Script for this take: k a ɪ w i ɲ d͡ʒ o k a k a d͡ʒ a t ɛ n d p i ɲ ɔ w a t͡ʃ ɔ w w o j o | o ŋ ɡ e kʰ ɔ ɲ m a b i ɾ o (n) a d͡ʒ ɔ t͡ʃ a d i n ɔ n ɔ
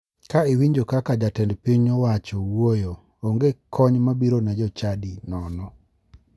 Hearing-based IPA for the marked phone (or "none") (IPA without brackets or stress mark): n